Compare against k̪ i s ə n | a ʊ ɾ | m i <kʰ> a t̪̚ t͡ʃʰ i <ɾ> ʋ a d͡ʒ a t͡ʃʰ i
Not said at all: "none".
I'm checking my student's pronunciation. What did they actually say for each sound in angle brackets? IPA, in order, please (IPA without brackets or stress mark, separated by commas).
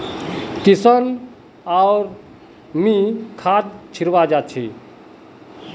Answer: kʰ, ɾ